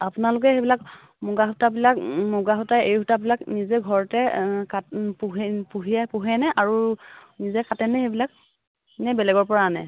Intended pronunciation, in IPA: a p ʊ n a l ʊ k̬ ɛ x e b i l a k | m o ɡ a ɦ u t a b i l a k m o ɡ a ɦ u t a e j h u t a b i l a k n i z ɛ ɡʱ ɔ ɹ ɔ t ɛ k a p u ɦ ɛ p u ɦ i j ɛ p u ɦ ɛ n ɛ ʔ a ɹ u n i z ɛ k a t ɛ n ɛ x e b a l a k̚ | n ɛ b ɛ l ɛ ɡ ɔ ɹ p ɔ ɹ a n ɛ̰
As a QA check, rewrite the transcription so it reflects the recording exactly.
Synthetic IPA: a p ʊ n a l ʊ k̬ ɛ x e b i l a k | m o ɡ a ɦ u t a b i l a k m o ɡ a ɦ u t a e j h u t a b i l a k n i z ɛ ɡʱ ɔ ɹ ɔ t ɛ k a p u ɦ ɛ p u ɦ i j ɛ p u ɦ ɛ n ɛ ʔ a ɹ u n i z ɛ k a t ɛ n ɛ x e b i l a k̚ | n ɛ b ɛ l ɛ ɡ ɔ ɹ p ɔ ɹ a n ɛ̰